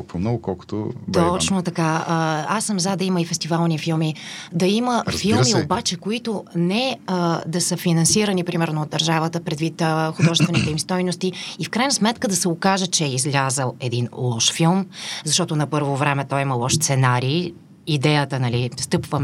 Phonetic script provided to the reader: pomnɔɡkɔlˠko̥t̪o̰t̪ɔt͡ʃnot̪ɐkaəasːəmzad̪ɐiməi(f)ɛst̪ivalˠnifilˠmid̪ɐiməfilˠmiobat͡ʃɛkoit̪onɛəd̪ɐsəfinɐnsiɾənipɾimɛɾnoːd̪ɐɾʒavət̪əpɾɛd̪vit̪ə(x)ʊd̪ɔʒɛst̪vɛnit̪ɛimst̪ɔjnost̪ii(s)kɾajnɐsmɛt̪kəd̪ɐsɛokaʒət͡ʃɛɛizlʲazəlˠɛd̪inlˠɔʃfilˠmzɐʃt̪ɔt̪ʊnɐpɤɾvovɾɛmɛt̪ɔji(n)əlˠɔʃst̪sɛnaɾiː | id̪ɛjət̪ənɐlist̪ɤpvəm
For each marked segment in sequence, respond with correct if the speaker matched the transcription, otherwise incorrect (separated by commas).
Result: correct, correct, incorrect, incorrect